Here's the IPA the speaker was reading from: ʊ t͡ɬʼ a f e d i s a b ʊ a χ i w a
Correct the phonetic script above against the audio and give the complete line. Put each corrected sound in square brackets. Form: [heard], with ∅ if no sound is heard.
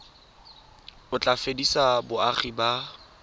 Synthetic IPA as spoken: ʊ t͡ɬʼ a f e d i s a b ʊ a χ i [b] a